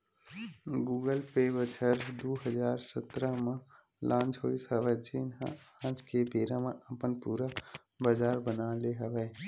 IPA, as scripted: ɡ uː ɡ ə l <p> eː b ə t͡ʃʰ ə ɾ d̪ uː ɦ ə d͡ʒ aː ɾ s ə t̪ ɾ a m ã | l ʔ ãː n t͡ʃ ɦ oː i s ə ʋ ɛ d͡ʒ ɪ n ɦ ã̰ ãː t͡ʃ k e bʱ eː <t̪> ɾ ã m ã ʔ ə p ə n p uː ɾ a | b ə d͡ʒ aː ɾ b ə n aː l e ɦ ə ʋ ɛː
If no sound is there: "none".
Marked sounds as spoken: p, none

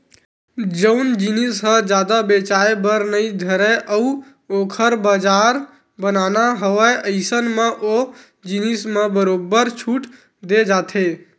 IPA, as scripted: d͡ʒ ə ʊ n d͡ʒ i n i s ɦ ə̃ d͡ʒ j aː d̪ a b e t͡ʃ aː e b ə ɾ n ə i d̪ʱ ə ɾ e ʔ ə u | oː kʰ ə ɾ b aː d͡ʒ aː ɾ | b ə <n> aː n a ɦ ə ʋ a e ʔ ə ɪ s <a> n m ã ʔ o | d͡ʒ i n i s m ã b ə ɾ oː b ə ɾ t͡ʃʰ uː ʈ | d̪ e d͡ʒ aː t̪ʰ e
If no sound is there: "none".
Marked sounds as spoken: n, ə

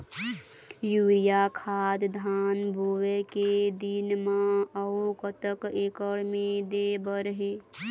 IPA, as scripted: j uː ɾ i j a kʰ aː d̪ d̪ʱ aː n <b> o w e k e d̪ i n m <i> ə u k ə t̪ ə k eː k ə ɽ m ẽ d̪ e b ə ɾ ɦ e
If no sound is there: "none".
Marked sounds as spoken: b, a

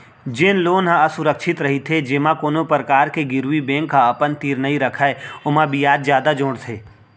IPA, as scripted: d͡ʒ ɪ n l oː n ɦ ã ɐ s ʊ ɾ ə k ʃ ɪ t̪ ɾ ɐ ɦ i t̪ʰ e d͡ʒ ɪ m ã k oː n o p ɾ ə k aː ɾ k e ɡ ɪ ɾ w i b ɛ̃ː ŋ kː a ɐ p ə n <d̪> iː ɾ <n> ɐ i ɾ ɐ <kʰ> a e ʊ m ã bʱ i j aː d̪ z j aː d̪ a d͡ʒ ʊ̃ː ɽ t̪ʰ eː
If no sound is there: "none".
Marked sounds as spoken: t̪, n, kʰ

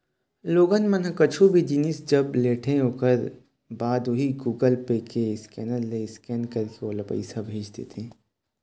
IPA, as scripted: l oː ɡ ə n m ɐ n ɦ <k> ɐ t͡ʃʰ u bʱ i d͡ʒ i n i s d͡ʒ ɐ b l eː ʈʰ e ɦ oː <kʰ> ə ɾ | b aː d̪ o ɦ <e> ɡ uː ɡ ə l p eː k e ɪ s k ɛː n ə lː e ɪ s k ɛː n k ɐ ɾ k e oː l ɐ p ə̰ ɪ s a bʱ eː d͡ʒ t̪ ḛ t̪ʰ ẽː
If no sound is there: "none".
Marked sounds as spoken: k, k, i

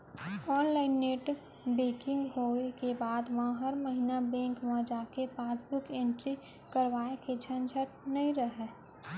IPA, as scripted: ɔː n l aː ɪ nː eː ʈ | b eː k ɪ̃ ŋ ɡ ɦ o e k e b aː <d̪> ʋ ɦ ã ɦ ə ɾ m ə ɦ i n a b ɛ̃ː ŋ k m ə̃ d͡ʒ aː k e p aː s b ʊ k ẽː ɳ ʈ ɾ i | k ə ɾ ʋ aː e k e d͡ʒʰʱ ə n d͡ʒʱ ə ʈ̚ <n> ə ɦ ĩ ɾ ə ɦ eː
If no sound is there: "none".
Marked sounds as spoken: d̪, n

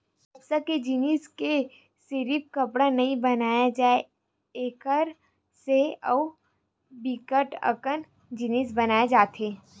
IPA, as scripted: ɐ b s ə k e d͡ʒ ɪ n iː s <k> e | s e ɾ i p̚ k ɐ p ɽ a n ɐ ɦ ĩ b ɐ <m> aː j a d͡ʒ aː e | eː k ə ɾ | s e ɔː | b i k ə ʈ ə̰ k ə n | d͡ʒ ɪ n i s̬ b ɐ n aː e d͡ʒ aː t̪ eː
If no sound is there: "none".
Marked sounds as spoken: k, n

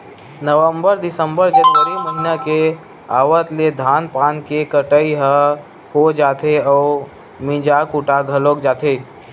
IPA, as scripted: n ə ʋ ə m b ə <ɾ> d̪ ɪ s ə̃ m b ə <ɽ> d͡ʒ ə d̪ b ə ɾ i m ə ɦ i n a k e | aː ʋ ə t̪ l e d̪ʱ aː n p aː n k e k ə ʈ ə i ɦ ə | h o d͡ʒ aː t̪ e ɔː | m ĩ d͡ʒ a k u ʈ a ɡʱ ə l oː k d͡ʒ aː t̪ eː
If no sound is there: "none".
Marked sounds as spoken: ɾ, ɾ

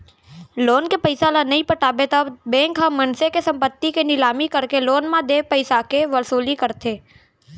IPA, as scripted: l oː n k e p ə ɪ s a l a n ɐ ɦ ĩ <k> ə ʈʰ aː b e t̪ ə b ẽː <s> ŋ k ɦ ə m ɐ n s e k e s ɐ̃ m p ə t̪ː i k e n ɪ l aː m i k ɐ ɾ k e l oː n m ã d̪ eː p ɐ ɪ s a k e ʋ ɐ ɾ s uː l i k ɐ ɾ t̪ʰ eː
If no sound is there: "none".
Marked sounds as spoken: p, none

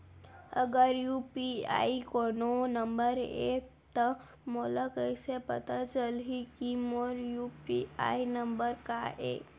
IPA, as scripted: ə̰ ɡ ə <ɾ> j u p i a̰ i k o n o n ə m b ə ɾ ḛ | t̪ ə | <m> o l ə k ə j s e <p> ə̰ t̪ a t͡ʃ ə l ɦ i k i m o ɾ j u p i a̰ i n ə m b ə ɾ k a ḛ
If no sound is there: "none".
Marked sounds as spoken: ɾ, m, p

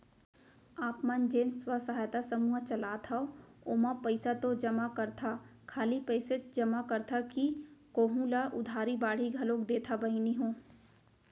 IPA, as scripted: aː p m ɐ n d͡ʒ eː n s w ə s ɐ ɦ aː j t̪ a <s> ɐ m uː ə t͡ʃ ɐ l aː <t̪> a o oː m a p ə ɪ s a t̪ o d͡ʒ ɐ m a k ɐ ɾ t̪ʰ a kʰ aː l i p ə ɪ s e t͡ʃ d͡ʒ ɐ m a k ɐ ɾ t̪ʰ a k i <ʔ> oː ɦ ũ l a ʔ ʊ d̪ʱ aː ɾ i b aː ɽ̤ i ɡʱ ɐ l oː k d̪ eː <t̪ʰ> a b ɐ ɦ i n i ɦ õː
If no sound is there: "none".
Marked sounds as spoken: s, t̪ʰ, k, t̪ʰ

